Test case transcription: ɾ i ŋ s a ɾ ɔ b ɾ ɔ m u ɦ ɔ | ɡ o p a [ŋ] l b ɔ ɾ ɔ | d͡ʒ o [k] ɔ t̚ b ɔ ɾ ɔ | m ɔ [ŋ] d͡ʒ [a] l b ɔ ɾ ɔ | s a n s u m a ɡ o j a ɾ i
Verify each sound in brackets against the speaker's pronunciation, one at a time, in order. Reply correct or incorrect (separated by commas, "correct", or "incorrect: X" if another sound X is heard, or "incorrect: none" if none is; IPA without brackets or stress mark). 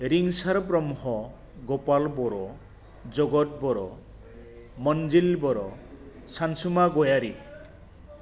incorrect: none, incorrect: ɡ, incorrect: n, incorrect: i